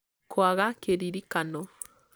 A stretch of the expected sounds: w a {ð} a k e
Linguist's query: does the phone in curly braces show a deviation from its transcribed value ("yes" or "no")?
yes